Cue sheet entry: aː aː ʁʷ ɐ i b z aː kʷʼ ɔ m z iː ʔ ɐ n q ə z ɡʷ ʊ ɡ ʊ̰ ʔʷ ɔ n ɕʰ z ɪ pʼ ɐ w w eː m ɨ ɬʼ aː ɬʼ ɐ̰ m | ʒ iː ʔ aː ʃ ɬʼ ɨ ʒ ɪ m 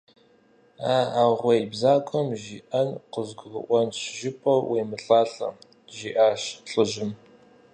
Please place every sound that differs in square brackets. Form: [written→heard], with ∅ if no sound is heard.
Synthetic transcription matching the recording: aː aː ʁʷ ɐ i b z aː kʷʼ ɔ m [z→ʒ] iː ʔ ɐ n q ə z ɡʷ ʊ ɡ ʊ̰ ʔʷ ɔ n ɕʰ [z→ʒ] ɪ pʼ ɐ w w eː m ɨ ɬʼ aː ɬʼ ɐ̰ m | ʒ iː ʔ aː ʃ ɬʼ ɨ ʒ ɪ m